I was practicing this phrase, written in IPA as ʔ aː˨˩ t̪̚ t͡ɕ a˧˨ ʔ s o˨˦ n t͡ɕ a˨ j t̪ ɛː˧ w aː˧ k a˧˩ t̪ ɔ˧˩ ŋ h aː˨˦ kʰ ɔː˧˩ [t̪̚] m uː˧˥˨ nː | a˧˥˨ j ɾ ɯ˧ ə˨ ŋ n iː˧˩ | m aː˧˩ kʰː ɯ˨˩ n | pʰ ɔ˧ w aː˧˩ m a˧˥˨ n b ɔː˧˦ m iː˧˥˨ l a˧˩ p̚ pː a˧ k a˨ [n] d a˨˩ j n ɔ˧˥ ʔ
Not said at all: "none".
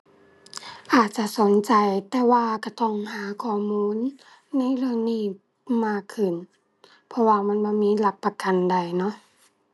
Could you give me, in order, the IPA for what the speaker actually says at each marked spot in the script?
none, n

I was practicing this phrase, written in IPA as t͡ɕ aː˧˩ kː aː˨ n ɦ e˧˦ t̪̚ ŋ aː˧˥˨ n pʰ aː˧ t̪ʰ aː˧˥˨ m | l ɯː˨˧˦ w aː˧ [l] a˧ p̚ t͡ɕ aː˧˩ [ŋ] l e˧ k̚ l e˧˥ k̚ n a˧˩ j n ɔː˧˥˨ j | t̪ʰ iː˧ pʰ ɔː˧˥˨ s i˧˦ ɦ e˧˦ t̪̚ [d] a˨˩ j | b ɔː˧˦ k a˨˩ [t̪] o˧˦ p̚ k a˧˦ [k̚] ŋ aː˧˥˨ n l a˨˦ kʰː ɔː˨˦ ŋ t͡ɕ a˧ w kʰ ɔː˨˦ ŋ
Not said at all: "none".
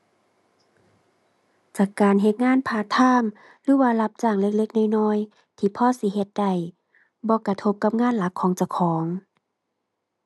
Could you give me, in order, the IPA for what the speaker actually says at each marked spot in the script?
l, ŋ, d, t̪ʰ, p̚

